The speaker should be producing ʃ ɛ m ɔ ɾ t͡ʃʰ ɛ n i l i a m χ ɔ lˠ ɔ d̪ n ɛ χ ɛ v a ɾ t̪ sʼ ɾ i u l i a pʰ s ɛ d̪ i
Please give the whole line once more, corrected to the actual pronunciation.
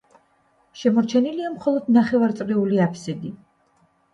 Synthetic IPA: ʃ ɛ m ɔ ɾ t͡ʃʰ ɛ n i l i a m χ ɔ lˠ ɔ d̪ n a χ ɛ v a ɾ t̪ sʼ ɾ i u l i a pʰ s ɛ d̪ i